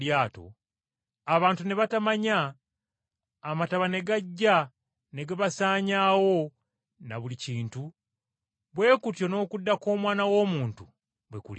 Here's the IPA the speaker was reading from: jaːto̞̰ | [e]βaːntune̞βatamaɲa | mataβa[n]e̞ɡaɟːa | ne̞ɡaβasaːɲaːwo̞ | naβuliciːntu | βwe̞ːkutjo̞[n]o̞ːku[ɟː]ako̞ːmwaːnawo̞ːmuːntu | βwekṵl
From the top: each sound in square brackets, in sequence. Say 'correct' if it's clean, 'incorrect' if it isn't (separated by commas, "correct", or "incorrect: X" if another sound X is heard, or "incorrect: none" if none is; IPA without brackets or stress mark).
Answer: incorrect: a, correct, correct, incorrect: dː